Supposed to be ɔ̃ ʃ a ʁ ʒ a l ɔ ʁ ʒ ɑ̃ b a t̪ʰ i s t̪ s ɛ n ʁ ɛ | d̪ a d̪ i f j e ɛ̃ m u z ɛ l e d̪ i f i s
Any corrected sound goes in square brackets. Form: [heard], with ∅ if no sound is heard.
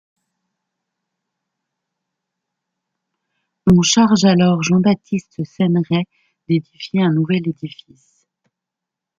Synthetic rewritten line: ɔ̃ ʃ a ʁ ʒ a l ɔ ʁ ʒ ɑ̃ b a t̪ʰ i s t̪ s ɛ n ʁ ɛ | d̪ [e] d̪ i f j e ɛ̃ [n] u [v] ɛ l e d̪ i f i s

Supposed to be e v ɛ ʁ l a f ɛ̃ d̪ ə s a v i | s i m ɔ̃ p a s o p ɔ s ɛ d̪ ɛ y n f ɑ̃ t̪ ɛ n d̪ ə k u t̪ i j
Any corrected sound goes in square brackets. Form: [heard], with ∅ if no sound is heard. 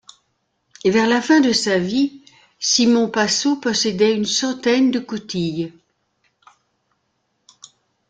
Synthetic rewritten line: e v ɛ ʁ l a f ɛ̃ d̪ ə s a v i | s i m ɔ̃ p a s o p ɔ s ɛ d̪ ɛ y n [s] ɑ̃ t̪ ɛ n d̪ ə k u t̪ i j

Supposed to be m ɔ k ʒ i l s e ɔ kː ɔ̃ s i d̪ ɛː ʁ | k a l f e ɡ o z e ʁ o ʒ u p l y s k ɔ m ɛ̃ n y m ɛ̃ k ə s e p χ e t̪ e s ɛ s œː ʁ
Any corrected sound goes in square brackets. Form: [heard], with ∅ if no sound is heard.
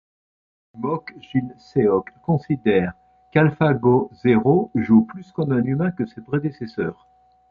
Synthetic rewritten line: m ɔ k ʒ i l s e ɔ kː ɔ̃ s i d̪ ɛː ʁ | k a l f [a] ɡ o z e ʁ o ʒ u p l y s k ɔ m ɛ̃ n y m ɛ̃ k ə s e p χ e [d̪] e s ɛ s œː ʁ

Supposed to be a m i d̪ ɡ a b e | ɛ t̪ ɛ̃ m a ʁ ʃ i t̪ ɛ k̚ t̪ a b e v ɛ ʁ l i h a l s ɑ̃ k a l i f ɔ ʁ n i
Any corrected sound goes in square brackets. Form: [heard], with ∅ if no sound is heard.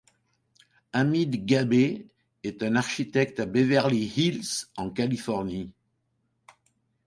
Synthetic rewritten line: a m i d̪ ɡ a b e | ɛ t̪ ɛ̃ [n] a ʁ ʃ i t̪ ɛ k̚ t̪ a b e v ɛ ʁ l i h [i] l s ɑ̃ k a l i f ɔ ʁ n i

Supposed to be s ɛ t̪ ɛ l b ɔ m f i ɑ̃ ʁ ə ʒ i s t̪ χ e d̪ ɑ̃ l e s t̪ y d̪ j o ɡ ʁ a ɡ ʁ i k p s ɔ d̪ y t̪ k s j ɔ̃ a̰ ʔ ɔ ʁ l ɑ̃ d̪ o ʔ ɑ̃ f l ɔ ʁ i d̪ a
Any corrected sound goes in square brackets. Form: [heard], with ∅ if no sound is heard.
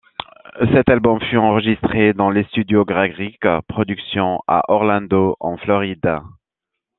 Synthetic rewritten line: s ɛ t̪ [a] l b ɔ m f [y] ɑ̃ ʁ ə ʒ i s t̪ χ e d̪ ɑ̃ l e s t̪ y d̪ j o ɡ ʁ a ɡ ʁ i k p [χ] ɔ d̪ y [∅] k s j ɔ̃ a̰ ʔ ɔ ʁ l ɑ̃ d̪ o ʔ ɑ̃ f l ɔ ʁ i d̪ a

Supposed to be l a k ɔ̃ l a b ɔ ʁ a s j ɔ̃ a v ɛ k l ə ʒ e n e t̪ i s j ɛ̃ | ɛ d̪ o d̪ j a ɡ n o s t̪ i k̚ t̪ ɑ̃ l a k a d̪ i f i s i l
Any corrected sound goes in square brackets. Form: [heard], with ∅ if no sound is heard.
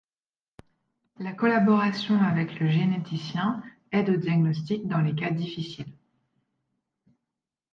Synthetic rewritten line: l a k [ɔ] l a b ɔ ʁ a s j ɔ̃ a v ɛ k l ə ʒ e n e t̪ i s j ɛ̃ | ɛ d̪ o d̪ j a ɡ n [ɔ] s t̪ i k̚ [d̪] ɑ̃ l [e] k a d̪ i f i s i l

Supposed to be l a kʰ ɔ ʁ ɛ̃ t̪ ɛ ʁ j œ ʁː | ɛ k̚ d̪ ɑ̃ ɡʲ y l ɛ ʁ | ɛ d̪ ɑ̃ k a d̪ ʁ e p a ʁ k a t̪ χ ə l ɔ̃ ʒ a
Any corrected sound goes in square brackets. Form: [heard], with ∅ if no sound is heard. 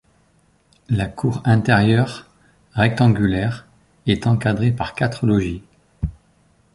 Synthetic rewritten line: l a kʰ [u] ʁ ɛ̃ t̪ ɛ ʁ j œ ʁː | ɛ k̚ [t̪] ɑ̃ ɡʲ y l ɛ ʁ | ɛ [t̪] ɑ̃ k a d̪ ʁ e p a ʁ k a t̪ χ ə l [ɔ] ʒ [i]

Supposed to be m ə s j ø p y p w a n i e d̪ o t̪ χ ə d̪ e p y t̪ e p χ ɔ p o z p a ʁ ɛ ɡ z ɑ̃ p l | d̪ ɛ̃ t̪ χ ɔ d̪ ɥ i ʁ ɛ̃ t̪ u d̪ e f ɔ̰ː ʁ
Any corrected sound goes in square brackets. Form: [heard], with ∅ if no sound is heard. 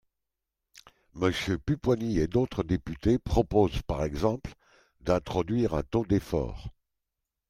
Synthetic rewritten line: m ə s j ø p y p w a n i e d̪ o t̪ χ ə d̪ e p y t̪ e p χ ɔ p o z p a ʁ ɛ ɡ z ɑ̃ p l | d̪ ɛ̃ t̪ χ ɔ d̪ ɥ i ʁ ɛ̃ t̪ [o] d̪ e f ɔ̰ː ʁ

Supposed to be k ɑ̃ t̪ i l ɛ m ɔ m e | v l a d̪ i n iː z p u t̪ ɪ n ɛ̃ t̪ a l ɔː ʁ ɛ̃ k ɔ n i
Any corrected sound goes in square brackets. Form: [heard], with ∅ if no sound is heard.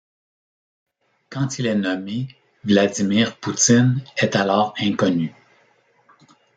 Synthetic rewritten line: k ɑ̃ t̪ i l ɛ [n] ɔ m e | v l a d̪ i [m] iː [ʁ] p u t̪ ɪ n [ɛ] t̪ a l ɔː ʁ ɛ̃ k ɔ n [y]

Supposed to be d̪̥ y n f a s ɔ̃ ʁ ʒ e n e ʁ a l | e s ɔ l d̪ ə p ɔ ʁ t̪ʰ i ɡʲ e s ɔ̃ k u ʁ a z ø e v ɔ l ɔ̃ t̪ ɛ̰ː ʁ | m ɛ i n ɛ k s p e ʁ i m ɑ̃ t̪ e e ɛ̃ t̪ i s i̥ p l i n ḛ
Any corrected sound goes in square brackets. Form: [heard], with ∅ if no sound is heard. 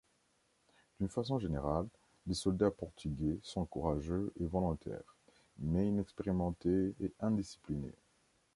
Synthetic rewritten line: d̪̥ y n f a s ɔ̃ [∅] ʒ e n e ʁ a [lː] | e s ɔ l d̪ [a] p ɔ ʁ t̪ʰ [y] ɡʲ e s ɔ̃ k u ʁ a [ʒ] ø e v ɔ l ɔ̃ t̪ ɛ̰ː ʁ | m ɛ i n ɛ k s p e ʁ i m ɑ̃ t̪ e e ɛ̃ [d̪] i s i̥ p l i n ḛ

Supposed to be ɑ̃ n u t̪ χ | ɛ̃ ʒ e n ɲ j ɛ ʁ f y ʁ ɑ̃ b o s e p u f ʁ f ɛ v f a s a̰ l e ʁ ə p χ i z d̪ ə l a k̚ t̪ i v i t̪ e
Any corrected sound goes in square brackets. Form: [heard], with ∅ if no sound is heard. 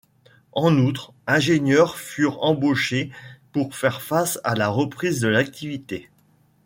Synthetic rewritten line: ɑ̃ n u t̪ χ | ɛ̃ ʒ e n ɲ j [œ] ʁ f y ʁ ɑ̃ b o [ʃ] e p u [∅] ʁ f ɛ [ʁ] f a s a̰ l [a] ʁ ə p χ i z d̪ ə l a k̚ t̪ i v i t̪ e

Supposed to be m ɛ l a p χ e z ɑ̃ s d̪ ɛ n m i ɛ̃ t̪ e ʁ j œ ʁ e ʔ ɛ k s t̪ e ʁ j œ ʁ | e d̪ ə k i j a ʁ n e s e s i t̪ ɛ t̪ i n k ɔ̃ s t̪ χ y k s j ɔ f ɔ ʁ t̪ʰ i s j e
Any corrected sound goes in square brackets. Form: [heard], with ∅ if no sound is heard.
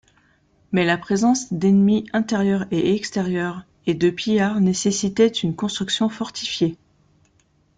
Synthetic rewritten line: m ɛ l a p χ e z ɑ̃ s d̪ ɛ n m i ɛ̃ t̪ e ʁ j œ ʁ e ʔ ɛ k s t̪ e ʁ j œ ʁ | e d̪ ə [p] i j a ʁ n e s e s i t̪ ɛ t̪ [y] n k ɔ̃ s t̪ χ y k s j [ɔ̃] f ɔ ʁ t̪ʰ i [f] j e

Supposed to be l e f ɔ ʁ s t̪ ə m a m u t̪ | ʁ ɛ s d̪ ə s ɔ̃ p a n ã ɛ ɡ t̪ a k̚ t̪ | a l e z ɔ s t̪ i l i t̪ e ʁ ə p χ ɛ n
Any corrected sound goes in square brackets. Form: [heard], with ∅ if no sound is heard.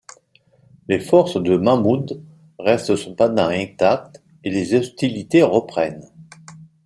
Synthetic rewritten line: l e f ɔ ʁ s [d̪] ə m a m u [d̪] | ʁ ɛ s [t̪] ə s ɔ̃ p a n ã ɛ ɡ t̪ a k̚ t̪ | [e] l e z ɔ s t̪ i l i t̪ e ʁ ə p χ ɛ n

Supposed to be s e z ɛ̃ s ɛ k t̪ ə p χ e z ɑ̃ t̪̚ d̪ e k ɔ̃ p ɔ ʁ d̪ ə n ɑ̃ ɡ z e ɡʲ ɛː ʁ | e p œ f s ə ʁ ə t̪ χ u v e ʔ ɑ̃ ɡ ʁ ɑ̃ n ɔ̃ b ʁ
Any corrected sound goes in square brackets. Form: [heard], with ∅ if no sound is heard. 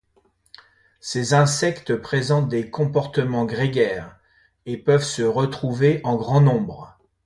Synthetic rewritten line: s e z ɛ̃ s ɛ k t̪ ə p χ e z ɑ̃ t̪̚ d̪ e k ɔ̃ p ɔ ʁ [t̪] ə [m] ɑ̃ ɡ [ʁ] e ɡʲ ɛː ʁ | e p œ [v] s ə ʁ ə t̪ χ u v e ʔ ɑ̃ ɡ ʁ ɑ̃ n ɔ̃ b ʁ

